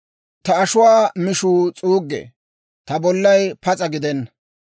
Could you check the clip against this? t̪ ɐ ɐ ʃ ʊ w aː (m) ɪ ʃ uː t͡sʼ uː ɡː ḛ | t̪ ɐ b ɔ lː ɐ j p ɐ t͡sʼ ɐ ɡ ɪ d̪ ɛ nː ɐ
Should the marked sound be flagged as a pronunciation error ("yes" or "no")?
no